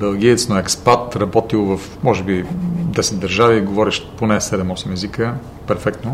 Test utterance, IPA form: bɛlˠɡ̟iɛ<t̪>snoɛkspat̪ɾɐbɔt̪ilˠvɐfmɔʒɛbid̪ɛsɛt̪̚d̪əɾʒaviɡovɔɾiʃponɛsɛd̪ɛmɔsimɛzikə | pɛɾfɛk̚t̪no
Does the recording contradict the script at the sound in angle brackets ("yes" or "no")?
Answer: no